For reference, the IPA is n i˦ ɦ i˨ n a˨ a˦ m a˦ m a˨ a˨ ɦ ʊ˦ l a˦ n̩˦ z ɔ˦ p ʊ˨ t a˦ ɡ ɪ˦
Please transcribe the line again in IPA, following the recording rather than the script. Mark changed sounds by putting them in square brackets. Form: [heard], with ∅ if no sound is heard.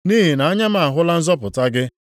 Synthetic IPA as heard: n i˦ ɦ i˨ n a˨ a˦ [ɲ] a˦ m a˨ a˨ ɦ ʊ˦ l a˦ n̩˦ z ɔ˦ p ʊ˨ t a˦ ɡ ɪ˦